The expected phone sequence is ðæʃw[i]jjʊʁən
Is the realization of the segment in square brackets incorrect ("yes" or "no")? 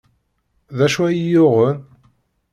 yes